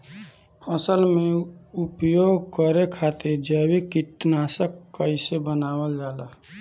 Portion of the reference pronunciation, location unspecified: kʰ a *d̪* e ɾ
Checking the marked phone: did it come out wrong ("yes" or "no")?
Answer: yes